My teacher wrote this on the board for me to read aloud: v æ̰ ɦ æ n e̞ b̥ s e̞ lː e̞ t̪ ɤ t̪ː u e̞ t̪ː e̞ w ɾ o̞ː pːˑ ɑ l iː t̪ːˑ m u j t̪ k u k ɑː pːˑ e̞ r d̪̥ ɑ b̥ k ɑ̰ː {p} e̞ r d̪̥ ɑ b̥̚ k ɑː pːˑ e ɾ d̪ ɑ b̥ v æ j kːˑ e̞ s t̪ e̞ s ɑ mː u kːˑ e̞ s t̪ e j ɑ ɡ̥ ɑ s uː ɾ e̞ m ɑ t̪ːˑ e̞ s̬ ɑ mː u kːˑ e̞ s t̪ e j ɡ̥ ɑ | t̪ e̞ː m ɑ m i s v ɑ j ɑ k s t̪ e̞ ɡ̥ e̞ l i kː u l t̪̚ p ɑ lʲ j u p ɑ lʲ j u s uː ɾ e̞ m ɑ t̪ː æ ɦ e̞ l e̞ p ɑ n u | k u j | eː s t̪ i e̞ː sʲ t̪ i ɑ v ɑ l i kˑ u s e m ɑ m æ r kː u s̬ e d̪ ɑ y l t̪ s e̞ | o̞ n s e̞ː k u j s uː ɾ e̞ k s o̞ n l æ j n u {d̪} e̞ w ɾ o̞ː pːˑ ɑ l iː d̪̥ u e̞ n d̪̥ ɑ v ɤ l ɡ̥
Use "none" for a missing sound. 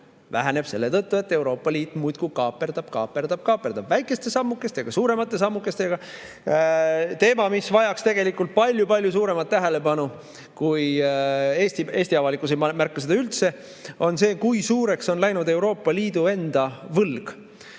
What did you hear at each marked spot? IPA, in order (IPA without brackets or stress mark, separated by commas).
p, d̪